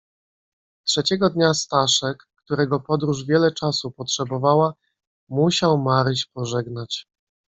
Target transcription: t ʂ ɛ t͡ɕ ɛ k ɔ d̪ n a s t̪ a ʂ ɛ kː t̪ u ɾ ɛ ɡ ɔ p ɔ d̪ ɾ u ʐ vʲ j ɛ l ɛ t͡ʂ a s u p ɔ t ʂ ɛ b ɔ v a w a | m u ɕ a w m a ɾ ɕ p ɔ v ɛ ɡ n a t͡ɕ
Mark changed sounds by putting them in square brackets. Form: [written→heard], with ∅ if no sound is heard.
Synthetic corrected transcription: t ʂ ɛ t͡ɕ ɛ [k→ɡ] ɔ d̪ [n→ɲ] a s t̪ a ʂ ɛ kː t̪ u ɾ ɛ ɡ ɔ p ɔ d̪ ɾ u ʐ vʲ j ɛ l ɛ t͡ʂ a s u p ɔ t ʂ ɛ b ɔ v a w a | m u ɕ a w m a ɾ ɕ p ɔ [v→ʐ] ɛ ɡ n a t͡ɕ